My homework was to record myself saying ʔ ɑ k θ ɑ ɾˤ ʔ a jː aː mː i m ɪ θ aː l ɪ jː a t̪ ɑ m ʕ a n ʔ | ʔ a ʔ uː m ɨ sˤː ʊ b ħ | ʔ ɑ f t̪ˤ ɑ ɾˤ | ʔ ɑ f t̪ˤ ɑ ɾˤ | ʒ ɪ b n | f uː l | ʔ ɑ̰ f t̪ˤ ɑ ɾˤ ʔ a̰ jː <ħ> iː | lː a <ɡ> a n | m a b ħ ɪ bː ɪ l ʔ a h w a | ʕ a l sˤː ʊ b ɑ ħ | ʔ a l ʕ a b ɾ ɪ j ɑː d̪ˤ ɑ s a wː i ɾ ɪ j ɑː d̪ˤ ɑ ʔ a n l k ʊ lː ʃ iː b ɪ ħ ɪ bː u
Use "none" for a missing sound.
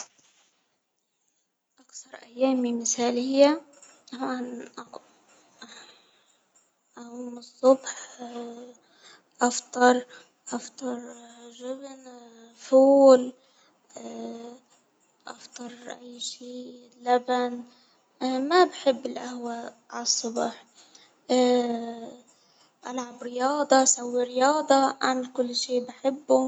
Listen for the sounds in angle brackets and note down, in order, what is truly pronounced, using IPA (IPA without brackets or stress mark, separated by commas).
ʃ, b